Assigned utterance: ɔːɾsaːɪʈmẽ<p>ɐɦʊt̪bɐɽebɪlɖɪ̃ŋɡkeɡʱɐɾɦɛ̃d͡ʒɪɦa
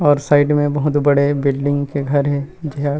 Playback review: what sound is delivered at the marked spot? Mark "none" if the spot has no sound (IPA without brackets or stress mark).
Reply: b